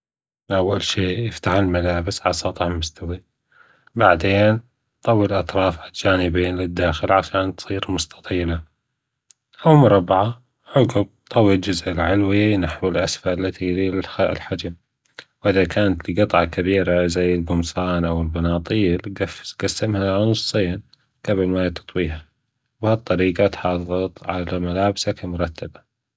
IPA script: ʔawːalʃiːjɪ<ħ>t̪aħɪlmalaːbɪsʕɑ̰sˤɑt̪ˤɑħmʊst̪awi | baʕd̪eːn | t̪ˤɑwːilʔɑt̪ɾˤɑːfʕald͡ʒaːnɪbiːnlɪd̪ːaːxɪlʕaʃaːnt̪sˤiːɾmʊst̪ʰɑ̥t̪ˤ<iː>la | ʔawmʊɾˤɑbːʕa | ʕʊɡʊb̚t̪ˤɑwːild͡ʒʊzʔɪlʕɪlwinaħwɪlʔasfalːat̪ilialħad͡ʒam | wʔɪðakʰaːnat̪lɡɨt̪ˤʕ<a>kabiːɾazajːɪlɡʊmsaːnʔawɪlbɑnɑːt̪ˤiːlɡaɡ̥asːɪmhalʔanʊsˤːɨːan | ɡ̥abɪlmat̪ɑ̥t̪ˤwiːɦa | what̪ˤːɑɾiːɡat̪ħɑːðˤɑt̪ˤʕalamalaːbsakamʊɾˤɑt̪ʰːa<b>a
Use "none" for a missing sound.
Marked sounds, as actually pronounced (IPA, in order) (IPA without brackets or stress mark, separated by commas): f, iː, ɑ, b